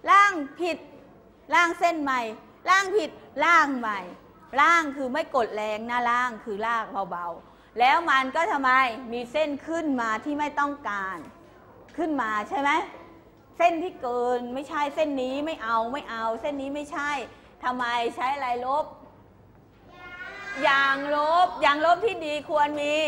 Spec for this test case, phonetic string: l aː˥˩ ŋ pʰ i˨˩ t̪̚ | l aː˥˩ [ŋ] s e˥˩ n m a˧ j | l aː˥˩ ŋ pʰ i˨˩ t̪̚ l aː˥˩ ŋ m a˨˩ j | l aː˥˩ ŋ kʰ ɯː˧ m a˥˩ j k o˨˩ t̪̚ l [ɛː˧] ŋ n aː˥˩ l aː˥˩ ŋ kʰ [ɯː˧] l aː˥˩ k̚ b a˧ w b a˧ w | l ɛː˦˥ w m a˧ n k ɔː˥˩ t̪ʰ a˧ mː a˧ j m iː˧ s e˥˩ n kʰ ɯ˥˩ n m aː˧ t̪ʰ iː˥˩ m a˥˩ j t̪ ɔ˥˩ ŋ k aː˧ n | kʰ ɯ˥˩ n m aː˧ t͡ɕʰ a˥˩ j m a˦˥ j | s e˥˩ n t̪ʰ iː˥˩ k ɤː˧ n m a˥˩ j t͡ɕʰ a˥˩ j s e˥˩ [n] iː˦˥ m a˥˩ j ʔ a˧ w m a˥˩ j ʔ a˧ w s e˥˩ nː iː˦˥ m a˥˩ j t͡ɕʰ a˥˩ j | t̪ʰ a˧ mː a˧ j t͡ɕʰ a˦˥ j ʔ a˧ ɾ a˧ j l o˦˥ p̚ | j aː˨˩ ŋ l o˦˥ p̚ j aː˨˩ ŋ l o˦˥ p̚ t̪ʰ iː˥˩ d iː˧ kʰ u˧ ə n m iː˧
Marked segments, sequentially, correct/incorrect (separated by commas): correct, correct, correct, incorrect